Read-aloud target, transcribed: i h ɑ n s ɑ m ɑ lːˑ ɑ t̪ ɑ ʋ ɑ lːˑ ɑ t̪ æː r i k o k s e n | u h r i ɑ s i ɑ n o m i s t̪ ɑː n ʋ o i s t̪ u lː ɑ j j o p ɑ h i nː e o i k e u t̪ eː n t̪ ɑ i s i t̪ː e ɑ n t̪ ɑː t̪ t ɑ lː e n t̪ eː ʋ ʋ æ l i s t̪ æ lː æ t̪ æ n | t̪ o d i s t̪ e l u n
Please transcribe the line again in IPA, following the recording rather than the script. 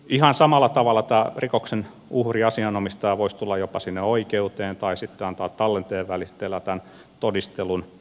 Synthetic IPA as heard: i h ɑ n s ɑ m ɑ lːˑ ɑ t̪ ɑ ʋ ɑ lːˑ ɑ t̪ æː r i k o k s e n | u h r i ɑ s i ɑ n o m i s t̪ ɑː ʋ o i s t̪ u lː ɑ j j o p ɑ s i nː e o i k e u t̪ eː n t̪ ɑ i s i t̪ː e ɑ n t̪ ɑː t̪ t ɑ lː e n t̪ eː ʋ ʋ æ l i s t̪ e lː æ t̪ æ n | t̪ o d i s t̪ e l u n